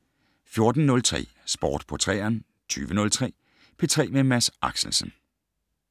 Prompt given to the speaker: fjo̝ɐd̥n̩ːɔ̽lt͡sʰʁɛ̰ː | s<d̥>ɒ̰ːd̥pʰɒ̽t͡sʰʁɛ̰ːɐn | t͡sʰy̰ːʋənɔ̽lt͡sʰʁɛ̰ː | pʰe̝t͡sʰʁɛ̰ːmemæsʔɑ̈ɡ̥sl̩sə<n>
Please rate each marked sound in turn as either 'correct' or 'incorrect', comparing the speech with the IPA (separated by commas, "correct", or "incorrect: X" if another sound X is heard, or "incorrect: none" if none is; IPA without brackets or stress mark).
incorrect: b̥, correct